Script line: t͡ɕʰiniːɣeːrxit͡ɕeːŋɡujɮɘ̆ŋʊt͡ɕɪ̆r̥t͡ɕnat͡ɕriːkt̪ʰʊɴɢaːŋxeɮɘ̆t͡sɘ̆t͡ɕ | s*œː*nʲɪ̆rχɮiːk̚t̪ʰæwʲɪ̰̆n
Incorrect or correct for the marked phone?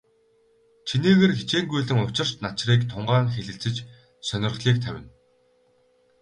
incorrect: œ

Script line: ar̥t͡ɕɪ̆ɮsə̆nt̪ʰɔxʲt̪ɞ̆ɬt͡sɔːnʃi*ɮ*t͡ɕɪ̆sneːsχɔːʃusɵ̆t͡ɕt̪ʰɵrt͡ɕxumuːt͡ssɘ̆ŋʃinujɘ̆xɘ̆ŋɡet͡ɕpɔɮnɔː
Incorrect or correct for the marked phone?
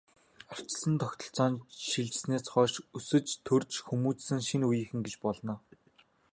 correct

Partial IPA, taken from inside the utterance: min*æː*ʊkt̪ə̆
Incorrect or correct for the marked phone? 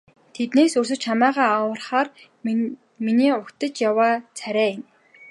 incorrect: iː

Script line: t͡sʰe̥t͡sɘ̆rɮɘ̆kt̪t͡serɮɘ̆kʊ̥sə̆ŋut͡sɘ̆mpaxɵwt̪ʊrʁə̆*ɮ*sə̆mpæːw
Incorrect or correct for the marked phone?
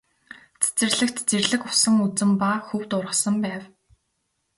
incorrect: none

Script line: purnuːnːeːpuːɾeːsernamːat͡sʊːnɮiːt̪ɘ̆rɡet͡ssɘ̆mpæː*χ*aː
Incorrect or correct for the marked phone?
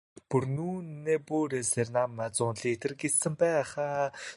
correct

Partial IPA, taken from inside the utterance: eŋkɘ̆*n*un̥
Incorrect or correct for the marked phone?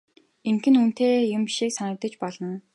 correct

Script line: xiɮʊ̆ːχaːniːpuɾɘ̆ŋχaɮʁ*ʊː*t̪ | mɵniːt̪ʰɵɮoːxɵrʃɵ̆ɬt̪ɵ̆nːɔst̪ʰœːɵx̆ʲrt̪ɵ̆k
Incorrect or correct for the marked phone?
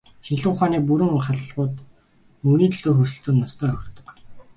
correct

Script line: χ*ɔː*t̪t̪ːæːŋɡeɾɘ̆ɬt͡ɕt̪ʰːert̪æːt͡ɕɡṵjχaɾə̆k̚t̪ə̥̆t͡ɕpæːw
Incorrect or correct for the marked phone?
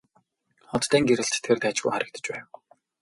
incorrect: ɔ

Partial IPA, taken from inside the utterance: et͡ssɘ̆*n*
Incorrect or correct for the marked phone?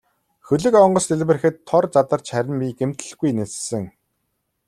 incorrect: ŋ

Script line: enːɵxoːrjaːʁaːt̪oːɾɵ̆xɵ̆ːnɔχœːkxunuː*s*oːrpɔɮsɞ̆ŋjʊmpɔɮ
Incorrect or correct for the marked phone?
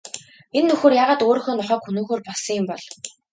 incorrect: x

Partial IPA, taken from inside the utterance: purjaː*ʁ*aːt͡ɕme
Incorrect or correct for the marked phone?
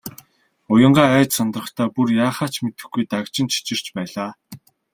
incorrect: χ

